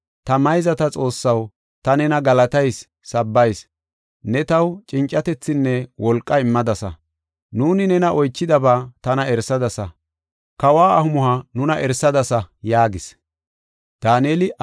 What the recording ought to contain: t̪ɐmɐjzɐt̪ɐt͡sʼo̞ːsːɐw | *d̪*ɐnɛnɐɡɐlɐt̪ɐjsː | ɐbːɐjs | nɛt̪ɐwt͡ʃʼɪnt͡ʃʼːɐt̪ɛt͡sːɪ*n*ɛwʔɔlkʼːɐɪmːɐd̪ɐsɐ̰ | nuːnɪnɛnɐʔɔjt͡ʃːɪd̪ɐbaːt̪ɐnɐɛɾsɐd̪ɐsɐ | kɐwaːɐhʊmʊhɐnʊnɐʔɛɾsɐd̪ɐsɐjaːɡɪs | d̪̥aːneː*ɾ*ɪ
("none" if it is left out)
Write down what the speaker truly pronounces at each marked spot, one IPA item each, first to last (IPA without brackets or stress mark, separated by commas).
t̪, nː, l